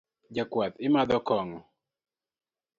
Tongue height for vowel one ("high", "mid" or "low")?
low